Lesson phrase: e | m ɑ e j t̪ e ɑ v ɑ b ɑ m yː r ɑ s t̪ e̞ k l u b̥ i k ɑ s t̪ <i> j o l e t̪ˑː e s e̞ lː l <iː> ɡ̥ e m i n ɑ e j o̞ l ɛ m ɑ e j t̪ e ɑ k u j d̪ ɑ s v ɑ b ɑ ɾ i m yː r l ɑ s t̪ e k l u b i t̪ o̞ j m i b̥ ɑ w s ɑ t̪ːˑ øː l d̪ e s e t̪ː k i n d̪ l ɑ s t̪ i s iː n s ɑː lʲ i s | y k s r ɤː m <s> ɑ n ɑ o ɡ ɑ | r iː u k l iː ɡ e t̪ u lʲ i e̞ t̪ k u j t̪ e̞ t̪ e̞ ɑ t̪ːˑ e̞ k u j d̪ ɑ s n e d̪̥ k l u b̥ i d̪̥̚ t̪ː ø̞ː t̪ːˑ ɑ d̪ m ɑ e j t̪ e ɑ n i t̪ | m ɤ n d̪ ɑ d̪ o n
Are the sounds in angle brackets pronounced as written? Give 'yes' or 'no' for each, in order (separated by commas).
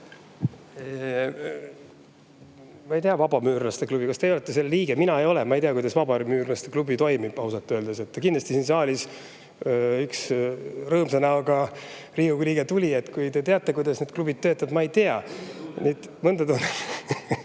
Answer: no, yes, yes